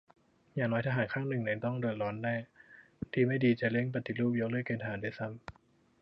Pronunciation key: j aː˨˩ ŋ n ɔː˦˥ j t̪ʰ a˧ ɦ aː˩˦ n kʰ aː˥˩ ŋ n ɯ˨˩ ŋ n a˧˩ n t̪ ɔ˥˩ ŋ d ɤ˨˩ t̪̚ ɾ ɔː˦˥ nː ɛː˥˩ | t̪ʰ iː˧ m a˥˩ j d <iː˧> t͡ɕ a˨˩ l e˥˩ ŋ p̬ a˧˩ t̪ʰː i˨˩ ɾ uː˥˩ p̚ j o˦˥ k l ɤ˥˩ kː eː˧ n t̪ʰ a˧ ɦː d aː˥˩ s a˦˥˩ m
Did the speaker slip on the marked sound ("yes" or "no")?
no